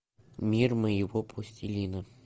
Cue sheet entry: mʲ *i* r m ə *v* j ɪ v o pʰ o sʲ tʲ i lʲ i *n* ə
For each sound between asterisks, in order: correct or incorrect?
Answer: correct, incorrect: none, correct

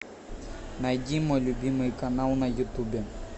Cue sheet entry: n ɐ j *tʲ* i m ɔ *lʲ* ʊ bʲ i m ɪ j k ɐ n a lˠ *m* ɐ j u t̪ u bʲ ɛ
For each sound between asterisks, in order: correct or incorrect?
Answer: incorrect: dʲ, correct, incorrect: n

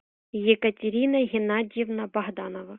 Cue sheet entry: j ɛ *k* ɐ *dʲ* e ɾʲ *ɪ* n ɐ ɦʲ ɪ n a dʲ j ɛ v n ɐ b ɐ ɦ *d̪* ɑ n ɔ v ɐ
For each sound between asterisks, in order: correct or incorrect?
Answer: correct, incorrect: tʲ, incorrect: i, correct

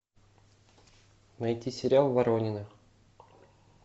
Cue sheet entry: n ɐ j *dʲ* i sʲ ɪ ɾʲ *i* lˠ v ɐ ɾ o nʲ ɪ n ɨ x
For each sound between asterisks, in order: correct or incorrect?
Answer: incorrect: tʲ, incorrect: a

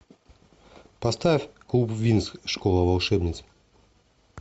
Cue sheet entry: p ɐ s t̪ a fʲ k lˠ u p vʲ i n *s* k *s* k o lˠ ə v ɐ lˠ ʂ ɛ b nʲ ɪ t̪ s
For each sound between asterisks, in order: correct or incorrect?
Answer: correct, incorrect: ʂ

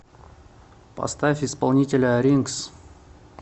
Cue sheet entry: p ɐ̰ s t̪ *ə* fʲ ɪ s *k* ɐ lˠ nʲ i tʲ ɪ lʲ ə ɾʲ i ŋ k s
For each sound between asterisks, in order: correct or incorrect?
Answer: incorrect: a, incorrect: p

